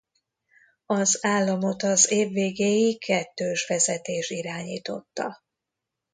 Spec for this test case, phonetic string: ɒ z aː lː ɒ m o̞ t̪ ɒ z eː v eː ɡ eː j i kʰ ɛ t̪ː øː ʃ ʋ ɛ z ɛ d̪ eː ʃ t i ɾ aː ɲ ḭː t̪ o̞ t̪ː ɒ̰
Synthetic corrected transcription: ɒ z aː lː ɒ m o̞ t̪ ɒ z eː vː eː ɡ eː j i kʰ ɛ t̪ː øː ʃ ʋ ɛ z ɛ t̪ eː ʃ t i ɾ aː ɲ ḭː t̪ o̞ t̪ː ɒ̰